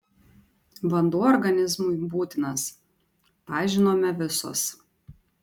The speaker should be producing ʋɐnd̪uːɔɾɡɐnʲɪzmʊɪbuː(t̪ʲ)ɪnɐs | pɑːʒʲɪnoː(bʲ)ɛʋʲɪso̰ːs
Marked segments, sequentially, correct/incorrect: correct, incorrect: mʲ

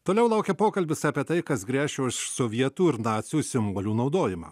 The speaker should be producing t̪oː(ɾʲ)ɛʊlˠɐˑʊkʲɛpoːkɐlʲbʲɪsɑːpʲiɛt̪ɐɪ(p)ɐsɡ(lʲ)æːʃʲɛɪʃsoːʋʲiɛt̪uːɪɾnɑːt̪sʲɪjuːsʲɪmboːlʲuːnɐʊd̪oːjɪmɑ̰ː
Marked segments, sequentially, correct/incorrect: incorrect: lʲ, incorrect: k, incorrect: ɾʲ

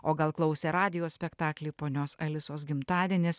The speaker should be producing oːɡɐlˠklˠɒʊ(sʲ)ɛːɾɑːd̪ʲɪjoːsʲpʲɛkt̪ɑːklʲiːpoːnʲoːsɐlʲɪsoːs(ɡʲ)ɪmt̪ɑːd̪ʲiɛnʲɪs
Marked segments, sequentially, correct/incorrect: correct, correct

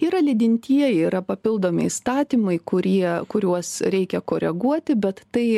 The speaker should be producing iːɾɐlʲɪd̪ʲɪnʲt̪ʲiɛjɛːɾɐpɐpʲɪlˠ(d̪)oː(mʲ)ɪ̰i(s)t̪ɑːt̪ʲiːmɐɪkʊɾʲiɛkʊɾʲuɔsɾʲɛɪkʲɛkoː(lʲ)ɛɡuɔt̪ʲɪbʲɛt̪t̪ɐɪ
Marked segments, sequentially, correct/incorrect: correct, correct, correct, incorrect: ɾʲ

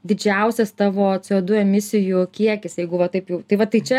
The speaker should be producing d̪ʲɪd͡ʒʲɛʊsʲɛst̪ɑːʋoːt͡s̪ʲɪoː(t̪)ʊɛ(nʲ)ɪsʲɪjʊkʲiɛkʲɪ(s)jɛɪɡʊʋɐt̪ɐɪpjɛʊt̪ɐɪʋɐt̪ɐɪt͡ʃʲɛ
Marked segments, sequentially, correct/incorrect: incorrect: d̪, incorrect: mʲ, correct

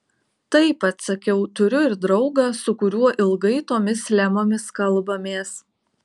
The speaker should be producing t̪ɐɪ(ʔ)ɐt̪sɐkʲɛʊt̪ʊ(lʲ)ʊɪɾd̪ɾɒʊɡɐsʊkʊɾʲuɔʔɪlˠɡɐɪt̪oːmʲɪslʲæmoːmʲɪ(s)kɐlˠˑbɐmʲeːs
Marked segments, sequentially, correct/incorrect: incorrect: p, incorrect: ɾʲ, correct

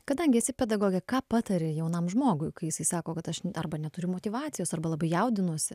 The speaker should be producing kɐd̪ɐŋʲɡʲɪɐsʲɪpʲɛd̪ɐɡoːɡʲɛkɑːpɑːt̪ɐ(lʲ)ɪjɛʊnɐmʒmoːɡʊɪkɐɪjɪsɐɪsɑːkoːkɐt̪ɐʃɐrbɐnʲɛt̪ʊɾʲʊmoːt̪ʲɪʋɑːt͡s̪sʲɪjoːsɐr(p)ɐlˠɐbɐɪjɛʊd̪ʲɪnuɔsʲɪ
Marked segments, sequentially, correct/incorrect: incorrect: ɾʲ, incorrect: b

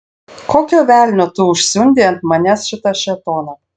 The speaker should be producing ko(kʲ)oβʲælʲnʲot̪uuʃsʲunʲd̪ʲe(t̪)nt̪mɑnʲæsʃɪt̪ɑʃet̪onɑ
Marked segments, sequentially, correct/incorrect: correct, incorrect: none

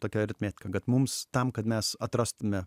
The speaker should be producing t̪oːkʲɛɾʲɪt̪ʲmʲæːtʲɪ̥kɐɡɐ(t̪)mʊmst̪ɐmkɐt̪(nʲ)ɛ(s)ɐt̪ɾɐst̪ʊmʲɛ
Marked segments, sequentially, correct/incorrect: correct, incorrect: mʲ, correct

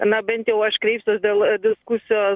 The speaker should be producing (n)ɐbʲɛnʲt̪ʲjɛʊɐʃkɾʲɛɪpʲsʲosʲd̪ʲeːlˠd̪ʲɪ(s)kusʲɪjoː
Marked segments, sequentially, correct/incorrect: correct, correct

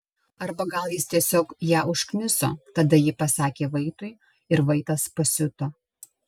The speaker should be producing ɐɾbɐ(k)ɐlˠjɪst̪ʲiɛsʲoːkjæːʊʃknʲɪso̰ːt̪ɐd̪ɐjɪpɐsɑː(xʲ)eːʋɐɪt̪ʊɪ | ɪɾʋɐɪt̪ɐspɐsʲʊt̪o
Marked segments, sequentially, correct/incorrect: incorrect: ɡ, incorrect: kʲ

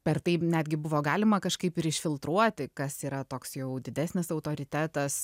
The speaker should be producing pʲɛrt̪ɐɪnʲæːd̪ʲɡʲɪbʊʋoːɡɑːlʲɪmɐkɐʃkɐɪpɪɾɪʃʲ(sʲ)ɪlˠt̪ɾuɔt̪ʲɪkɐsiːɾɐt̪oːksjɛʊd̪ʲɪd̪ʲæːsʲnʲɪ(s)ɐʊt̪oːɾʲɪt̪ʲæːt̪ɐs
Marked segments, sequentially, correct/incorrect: incorrect: fʲ, correct

